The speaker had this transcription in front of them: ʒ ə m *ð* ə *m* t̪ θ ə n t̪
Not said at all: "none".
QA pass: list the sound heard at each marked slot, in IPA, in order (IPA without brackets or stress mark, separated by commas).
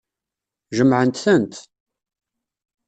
ʕ, n